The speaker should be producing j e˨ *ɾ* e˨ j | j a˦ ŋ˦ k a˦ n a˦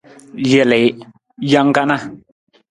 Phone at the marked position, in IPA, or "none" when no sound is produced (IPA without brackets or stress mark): l